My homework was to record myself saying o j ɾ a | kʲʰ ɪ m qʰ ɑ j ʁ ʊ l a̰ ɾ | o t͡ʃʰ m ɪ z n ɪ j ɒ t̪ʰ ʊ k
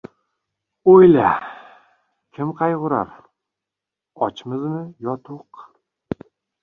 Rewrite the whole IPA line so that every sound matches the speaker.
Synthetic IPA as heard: o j l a | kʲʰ ɪ m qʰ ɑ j ʁ ʊ ɾ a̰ ɾ | ɒ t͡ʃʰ m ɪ z n ɪ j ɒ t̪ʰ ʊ q